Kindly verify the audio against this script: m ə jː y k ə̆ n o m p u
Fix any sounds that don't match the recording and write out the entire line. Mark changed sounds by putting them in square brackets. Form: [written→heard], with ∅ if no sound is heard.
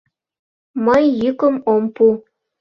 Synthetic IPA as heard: m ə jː y k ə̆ [n→m] o m p u